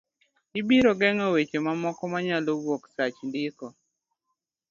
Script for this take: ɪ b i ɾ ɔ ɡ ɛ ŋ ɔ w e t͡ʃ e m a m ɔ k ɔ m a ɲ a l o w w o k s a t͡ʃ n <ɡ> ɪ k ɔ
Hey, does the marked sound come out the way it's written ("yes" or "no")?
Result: no